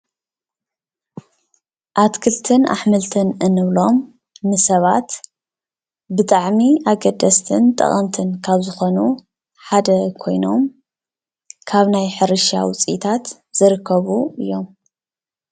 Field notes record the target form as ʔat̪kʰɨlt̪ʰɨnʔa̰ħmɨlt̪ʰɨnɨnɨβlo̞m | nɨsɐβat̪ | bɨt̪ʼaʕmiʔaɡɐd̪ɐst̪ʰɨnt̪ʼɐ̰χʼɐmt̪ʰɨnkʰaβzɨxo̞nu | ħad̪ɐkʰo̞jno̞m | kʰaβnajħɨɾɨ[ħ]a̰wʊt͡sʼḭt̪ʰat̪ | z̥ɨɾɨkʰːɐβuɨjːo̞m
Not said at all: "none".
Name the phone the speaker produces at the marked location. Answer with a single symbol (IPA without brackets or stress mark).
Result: ʃ